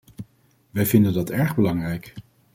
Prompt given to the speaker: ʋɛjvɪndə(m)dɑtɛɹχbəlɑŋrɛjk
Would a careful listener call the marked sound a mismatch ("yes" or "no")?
yes